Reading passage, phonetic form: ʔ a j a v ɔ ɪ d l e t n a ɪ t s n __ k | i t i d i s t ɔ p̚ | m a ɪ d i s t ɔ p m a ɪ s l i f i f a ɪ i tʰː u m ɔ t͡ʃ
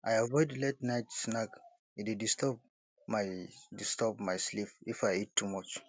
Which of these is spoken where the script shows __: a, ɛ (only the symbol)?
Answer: a